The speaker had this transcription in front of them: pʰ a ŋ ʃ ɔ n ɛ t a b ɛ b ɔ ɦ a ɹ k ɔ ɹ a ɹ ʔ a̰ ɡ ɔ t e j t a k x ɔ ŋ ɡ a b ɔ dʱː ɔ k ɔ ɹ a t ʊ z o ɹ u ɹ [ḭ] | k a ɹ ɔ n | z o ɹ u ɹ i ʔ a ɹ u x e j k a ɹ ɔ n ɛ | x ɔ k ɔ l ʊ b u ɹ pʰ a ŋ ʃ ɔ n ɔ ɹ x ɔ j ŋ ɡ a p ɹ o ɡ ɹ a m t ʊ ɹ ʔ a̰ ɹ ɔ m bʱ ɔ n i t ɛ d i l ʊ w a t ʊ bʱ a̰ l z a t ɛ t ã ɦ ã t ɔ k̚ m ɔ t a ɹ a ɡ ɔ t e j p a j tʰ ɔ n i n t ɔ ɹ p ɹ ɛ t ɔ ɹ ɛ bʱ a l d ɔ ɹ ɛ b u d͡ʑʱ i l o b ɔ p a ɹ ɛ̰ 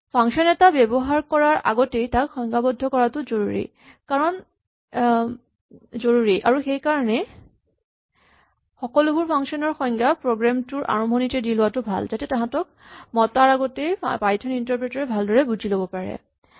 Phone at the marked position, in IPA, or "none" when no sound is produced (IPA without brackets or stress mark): ḭ